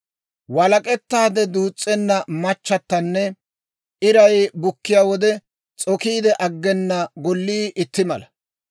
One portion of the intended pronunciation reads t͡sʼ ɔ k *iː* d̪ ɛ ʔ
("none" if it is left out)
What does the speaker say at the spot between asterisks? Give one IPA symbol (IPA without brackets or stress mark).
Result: iː